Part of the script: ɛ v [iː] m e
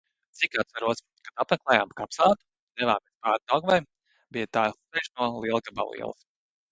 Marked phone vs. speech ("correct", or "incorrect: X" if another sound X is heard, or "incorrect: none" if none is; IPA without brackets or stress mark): incorrect: aː